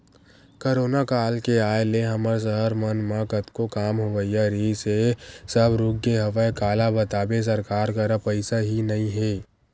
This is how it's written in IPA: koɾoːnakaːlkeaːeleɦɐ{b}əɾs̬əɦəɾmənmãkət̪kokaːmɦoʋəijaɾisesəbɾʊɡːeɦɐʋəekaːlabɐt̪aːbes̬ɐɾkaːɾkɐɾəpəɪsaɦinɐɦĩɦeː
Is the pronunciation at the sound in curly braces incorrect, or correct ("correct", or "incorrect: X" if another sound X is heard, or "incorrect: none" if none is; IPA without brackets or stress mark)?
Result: incorrect: m